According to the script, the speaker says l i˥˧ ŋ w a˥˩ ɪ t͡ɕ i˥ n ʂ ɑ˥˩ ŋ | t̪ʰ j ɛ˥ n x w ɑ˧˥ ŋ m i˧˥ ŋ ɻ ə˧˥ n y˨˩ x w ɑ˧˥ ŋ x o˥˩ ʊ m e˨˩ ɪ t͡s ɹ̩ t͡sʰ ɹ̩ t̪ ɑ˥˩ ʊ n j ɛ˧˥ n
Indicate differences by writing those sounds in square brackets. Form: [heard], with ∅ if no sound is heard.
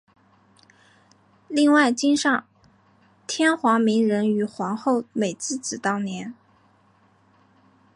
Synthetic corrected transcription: l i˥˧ ŋ w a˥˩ ɪ t͡ɕ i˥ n ʂ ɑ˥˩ ŋ | t̪ʰ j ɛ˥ n x w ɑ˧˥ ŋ m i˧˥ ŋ ɻ ə˧˥ n y˨˩ x w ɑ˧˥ ŋ x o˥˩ ʊ m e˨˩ ɪ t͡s ɹ̩ [t͡s] ɹ̩ t̪ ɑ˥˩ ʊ n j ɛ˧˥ n